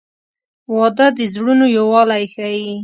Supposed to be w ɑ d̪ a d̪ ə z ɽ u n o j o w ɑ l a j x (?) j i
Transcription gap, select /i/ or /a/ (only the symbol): a